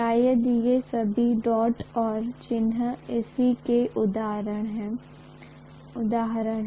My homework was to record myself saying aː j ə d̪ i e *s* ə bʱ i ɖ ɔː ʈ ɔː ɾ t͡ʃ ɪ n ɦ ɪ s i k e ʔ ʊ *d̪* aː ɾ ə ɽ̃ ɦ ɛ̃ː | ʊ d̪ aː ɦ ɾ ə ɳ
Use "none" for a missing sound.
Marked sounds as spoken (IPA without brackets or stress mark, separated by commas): s, d̪